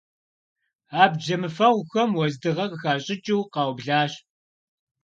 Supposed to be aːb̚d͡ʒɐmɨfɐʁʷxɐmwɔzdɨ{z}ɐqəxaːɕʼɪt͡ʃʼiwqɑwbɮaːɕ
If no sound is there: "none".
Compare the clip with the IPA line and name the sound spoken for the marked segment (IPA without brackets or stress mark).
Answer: ʁ